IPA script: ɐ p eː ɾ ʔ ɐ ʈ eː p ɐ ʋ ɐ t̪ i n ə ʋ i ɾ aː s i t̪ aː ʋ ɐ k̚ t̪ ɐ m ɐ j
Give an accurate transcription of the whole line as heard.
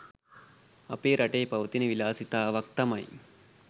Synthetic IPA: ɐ p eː ɾ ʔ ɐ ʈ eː p ɐ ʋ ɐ t̪ i n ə ʋ i l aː s i t̪ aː ʋ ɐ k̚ t̪ ɐ m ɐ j